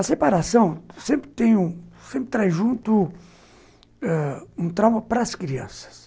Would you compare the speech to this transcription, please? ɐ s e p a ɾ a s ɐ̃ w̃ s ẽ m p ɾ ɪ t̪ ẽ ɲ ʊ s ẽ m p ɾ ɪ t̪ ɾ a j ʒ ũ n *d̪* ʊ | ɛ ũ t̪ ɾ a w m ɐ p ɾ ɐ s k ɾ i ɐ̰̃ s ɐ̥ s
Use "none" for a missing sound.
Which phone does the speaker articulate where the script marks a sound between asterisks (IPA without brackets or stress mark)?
t̪